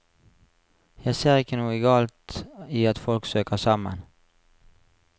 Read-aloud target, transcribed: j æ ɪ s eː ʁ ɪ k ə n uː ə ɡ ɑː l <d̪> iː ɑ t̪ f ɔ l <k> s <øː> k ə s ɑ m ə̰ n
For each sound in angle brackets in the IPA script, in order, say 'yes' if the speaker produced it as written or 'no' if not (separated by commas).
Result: no, yes, yes